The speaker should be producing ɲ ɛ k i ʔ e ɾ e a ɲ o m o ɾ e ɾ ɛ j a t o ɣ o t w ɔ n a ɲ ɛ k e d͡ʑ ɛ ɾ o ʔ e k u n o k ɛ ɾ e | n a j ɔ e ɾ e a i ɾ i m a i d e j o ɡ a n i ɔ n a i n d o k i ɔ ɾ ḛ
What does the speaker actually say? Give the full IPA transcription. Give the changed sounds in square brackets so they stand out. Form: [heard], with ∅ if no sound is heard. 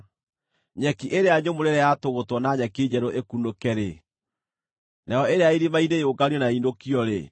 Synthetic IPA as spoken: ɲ ɛ k i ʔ e ɾ e a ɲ o m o ɾ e ɾ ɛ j a t o ɣ o t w ɔ n a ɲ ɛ k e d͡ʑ ɛ ɾ o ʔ e k u n o k ɛ ɾ e | n a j ɔ e ɾ e a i ɾ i m a i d e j o ɡ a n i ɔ n a i n d o k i ɔ ɾ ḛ